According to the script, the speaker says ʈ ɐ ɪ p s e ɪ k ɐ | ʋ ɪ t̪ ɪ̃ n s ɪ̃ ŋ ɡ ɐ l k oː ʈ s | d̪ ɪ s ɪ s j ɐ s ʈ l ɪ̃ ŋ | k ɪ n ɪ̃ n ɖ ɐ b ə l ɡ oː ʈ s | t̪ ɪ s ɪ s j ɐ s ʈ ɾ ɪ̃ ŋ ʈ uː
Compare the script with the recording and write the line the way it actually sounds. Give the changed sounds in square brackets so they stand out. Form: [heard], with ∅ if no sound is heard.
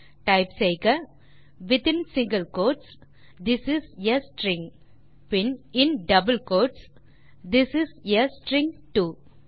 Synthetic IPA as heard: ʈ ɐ ɪ p s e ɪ k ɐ | ʋ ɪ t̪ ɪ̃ n s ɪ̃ ŋ ɡ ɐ l k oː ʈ s | d̪ ɪ s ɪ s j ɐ s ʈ [ɾ] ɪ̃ ŋ | [p] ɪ n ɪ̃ n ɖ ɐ b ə l [k] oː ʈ s | [d̪] ɪ s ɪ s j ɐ s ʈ ɾ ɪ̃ ŋ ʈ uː